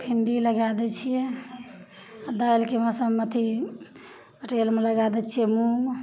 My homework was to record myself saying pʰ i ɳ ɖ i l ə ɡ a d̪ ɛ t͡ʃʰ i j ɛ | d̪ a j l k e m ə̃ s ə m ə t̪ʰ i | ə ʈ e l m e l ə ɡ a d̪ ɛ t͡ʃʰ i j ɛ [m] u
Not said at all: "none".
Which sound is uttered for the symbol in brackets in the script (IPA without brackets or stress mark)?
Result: m